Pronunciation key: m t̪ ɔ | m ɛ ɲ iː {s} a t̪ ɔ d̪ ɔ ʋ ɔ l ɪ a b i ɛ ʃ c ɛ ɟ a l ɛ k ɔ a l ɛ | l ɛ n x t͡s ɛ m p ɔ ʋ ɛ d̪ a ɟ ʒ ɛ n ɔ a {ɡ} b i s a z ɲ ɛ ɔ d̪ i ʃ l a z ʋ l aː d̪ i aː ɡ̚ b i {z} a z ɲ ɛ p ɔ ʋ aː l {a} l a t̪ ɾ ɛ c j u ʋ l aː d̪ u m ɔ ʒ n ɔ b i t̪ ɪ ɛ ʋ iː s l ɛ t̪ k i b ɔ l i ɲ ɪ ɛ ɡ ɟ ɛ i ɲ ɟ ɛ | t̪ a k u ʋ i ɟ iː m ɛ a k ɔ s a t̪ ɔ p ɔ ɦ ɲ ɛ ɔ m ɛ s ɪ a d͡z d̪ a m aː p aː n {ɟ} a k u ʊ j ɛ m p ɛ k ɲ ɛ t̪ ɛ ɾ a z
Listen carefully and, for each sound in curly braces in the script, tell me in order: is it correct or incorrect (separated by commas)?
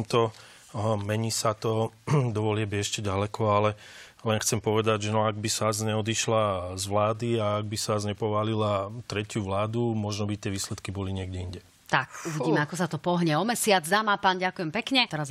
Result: correct, correct, incorrect, incorrect, correct